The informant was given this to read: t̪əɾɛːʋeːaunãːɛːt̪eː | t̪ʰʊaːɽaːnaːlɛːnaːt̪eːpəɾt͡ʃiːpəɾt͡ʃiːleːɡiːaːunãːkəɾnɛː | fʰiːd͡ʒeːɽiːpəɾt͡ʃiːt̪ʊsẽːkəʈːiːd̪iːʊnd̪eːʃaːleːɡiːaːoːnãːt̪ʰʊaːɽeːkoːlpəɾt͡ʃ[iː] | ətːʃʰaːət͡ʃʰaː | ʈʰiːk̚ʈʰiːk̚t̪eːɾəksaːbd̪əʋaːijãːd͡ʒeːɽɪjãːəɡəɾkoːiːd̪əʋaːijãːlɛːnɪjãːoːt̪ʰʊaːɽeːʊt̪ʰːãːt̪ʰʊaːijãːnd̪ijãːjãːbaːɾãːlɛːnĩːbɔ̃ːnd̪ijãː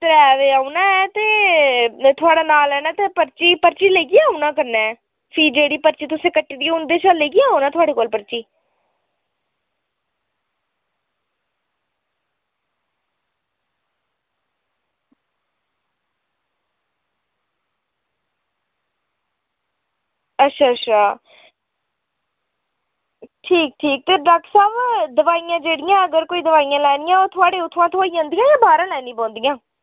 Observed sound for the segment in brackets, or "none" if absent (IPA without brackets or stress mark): iː